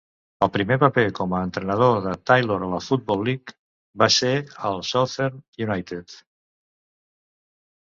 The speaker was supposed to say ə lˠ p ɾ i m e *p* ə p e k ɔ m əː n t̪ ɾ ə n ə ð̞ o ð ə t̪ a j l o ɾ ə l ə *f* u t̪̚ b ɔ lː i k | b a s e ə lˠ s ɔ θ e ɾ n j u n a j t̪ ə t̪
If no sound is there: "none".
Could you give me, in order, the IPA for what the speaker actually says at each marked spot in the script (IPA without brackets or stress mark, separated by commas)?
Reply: p, f